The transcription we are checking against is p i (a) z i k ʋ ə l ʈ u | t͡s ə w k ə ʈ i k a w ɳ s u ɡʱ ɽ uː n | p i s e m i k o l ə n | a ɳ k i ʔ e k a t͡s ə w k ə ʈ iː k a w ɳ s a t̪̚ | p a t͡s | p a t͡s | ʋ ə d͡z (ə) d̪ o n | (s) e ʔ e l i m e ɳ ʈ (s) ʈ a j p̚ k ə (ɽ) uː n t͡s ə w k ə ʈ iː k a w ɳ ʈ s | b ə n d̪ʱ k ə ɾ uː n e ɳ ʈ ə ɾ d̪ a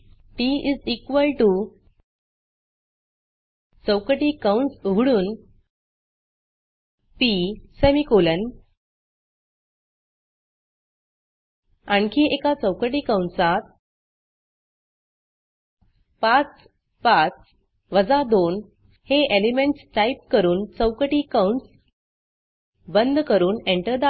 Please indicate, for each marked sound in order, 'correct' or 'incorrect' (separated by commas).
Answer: incorrect, incorrect, incorrect, correct, incorrect